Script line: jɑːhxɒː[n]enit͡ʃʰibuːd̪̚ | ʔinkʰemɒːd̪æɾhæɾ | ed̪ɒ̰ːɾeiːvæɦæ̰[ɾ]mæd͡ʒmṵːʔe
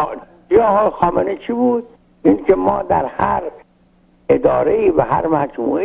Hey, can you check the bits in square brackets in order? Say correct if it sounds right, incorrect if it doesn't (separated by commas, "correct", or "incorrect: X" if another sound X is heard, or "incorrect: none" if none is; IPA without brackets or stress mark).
incorrect: m, correct